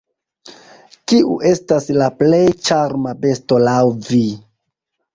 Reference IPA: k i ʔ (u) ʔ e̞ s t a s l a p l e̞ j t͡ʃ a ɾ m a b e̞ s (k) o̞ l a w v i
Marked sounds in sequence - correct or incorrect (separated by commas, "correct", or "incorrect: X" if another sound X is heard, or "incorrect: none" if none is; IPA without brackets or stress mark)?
correct, incorrect: t